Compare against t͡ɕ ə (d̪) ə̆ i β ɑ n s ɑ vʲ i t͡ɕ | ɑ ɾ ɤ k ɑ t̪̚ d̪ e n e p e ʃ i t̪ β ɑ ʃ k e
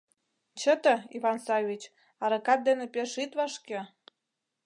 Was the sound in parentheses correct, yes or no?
no